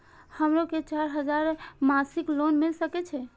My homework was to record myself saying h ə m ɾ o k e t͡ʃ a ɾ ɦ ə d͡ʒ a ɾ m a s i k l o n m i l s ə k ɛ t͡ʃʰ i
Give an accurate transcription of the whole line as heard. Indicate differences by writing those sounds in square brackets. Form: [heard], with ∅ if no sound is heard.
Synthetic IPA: h ə m ɾ o k e t͡ʃ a ɾ ɦ ə d͡ʒ a ɾ m a s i k l o n m i l s ə k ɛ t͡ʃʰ [ɛ]